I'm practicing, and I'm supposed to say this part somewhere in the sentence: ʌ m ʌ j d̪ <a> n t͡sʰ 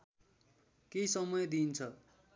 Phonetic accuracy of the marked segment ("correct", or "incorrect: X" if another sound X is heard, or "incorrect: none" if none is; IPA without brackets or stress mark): incorrect: i